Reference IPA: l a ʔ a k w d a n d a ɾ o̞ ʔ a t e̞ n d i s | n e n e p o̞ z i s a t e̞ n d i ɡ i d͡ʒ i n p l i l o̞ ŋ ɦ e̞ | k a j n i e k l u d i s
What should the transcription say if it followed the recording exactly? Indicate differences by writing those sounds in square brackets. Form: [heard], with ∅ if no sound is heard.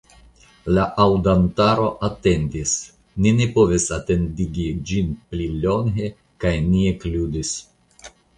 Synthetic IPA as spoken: l a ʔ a [∅] w d a n [t] a ɾ o̞ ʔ a t e̞ n d i s | n [i] n e p o̞ [v] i s a t e̞ n d i ɡ i d͡ʒ i n p l i l o̞ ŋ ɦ e̞ | k a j n i e k l u d i s